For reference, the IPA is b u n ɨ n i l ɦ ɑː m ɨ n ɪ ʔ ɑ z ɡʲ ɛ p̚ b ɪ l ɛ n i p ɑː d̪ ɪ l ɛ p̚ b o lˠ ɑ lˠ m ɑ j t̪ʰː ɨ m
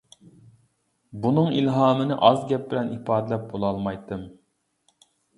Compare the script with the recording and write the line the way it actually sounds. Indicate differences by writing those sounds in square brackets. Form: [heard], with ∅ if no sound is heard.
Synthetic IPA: b u n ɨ [ŋ] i l ɦ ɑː m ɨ n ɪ ʔ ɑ z ɡʲ ɛ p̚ b ɪ l ɛ n i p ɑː d̪ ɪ l ɛ p̚ b o lˠ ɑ lˠ m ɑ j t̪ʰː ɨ m